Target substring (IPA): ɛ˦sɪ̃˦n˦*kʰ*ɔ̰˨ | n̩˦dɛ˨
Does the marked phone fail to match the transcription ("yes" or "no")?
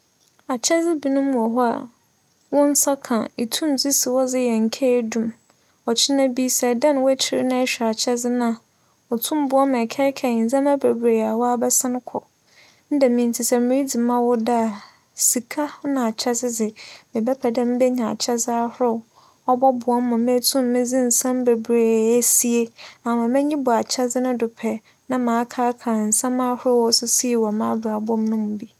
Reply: no